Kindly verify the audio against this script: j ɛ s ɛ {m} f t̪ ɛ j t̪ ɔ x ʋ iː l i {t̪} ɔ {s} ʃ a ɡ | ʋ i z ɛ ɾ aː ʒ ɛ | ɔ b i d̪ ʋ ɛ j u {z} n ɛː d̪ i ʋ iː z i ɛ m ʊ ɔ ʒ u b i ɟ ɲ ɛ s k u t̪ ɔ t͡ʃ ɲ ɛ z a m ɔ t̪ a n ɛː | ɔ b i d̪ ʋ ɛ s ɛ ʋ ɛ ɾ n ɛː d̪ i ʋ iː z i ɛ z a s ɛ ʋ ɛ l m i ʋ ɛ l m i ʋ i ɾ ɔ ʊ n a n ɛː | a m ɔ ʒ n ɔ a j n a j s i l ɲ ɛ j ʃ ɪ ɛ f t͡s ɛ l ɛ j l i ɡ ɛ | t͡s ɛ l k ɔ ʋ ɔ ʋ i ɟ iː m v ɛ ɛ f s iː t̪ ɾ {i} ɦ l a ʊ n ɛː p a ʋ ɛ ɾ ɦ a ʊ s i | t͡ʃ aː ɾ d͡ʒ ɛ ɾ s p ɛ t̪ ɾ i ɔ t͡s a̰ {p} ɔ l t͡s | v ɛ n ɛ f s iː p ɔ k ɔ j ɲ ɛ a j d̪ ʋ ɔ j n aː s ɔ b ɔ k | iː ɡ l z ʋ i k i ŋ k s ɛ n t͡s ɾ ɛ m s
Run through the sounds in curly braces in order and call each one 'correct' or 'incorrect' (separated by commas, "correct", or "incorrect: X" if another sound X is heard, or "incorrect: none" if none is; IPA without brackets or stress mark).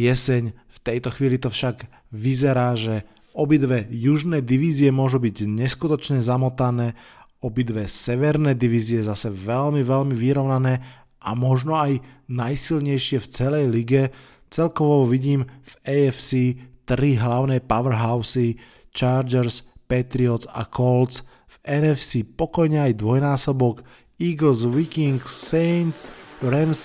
incorrect: ɲ, correct, incorrect: f, incorrect: ʒ, correct, incorrect: k